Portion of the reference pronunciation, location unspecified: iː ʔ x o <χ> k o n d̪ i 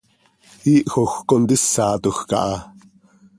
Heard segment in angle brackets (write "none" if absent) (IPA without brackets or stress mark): x